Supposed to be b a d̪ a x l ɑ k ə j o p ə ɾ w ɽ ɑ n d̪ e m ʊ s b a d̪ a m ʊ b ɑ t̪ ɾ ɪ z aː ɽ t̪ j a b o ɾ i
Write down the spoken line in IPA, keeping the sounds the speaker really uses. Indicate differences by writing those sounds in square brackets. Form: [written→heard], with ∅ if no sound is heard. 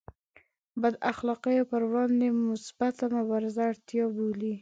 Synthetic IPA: b a d̪ a x l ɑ [k→q] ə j o p ə ɾ w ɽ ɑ n d̪ e m ʊ s b a [d̪→t̪] a m ʊ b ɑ [t̪→∅] ɾ ɪ z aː ɽ t̪ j [a→ɑ] b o [ɾ→l] i